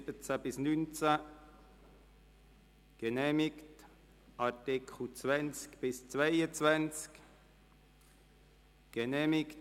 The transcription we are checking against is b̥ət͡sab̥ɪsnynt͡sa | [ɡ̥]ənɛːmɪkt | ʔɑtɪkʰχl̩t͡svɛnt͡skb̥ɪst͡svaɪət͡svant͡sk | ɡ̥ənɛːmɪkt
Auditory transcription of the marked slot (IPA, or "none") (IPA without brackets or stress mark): ɡ̥